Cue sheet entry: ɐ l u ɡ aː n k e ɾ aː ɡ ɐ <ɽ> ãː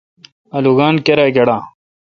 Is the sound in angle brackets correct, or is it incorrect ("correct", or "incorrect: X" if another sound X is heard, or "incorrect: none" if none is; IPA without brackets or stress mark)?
correct